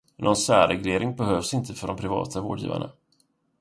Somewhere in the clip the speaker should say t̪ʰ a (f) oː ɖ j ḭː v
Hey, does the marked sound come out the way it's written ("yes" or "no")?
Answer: no